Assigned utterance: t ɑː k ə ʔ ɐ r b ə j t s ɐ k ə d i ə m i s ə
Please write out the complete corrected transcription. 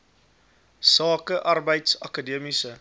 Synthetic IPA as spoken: s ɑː k ə ʔ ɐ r b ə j t s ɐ k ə d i ə m i s ə